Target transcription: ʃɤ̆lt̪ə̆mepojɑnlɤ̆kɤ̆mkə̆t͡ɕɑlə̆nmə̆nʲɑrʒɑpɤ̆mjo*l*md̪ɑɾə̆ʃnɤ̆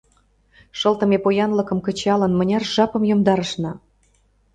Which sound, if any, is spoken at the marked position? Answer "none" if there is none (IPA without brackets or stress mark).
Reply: none